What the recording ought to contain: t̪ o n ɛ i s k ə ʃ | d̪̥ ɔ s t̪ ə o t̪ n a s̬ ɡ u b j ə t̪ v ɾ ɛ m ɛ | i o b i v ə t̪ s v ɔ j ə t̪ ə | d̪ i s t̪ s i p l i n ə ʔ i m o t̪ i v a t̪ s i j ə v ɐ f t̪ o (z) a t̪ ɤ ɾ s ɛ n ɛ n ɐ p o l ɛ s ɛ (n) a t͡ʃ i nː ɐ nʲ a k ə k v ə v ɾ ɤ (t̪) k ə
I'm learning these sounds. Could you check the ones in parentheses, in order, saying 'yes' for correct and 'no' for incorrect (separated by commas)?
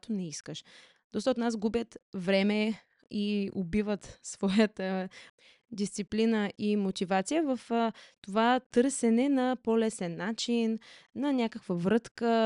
no, no, yes